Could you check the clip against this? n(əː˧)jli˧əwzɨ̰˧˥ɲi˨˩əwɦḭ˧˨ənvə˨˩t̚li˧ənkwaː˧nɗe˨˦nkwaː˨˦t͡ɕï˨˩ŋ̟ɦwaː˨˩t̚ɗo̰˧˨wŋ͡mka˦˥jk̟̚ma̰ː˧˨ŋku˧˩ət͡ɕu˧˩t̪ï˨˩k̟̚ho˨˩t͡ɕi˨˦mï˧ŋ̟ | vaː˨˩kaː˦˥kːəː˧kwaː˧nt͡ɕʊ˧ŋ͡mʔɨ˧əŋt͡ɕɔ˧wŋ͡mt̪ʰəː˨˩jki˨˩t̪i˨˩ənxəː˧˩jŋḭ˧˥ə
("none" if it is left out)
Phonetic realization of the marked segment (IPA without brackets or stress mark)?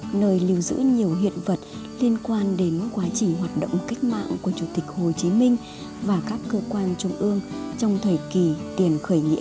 əː˧